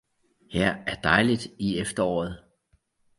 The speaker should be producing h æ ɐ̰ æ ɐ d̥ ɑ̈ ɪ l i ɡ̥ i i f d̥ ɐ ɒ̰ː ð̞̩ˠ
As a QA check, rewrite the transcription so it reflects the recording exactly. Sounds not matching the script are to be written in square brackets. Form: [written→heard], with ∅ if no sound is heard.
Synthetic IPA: h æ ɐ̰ æ ɐ d̥ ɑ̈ ɪ l i [ɡ̥→d̥] i [i→e] f d̥ ɐ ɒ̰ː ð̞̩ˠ